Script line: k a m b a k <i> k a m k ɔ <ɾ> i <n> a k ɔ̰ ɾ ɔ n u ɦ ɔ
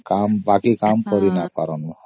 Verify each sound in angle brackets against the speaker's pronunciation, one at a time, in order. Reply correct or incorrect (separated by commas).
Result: correct, correct, correct